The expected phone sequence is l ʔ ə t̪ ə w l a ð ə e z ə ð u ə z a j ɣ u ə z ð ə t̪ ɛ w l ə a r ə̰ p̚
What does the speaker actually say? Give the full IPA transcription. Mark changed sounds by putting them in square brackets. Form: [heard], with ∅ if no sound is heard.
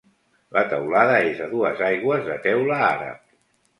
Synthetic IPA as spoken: l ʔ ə t̪ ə w l a ð ə e z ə ð u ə z a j ɣ [w] ə z ð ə t̪ ɛ w l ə a [ɾ] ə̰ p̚